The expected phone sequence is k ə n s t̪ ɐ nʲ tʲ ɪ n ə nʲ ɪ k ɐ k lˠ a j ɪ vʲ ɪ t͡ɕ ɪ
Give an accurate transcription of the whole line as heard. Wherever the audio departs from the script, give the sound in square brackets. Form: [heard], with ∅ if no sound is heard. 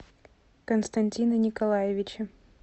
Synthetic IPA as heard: k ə n s t̪ ɐ nʲ tʲ [i] n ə nʲ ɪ k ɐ [∅] lˠ a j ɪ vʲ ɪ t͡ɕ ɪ